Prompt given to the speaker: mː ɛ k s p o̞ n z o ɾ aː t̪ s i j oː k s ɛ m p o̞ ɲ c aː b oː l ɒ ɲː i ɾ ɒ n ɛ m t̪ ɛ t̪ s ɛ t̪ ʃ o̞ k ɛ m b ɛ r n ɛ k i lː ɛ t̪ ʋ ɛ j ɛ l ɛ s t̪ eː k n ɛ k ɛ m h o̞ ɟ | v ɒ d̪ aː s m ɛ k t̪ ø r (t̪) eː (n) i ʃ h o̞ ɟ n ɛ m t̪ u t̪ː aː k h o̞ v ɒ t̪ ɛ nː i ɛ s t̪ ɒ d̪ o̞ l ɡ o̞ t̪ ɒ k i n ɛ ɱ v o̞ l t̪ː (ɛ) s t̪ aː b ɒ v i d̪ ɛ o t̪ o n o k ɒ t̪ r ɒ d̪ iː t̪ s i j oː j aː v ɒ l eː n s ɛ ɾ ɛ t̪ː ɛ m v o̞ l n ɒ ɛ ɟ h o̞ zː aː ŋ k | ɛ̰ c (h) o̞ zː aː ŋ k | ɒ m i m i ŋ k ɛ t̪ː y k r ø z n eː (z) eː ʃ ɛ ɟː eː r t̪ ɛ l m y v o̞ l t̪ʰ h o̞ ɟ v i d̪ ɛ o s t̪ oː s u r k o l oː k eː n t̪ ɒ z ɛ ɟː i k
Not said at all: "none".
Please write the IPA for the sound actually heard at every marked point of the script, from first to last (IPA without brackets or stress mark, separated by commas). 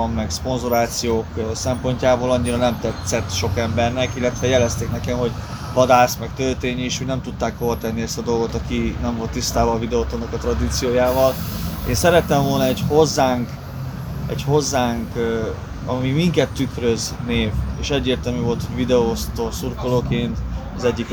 t̪, ɲ, i, h, v